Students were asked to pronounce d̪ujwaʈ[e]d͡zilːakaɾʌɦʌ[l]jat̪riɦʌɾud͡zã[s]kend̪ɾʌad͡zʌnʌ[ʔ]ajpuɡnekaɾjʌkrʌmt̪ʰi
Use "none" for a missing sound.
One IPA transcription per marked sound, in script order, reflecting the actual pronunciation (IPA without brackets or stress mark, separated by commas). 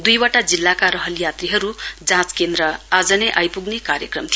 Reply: a, l, t͡s, ʔ